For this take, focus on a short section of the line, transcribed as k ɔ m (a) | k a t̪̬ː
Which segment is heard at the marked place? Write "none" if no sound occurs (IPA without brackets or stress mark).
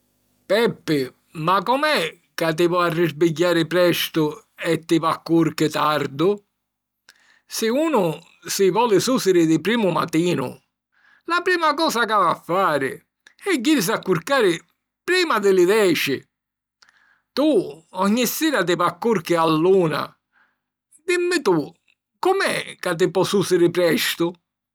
ɛ